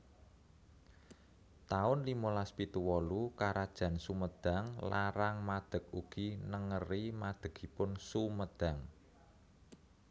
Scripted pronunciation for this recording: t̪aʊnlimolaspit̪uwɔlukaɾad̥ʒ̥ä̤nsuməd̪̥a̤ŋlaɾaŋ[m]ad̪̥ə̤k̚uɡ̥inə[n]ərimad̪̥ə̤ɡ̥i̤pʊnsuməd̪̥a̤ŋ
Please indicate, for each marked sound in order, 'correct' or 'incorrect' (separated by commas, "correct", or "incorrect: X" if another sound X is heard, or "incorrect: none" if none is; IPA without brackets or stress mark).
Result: correct, incorrect: ŋ